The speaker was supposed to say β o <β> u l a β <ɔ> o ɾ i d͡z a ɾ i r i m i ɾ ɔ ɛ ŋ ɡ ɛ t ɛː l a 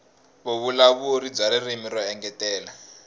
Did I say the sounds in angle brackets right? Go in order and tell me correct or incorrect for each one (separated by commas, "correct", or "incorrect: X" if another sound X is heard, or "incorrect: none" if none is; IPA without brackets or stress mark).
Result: correct, incorrect: u